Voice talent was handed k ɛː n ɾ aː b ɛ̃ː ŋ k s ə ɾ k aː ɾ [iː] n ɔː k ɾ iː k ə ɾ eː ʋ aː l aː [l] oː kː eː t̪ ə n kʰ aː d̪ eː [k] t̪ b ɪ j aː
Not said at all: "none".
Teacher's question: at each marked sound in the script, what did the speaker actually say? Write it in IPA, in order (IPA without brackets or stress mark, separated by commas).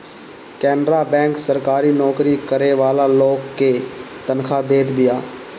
iː, l, none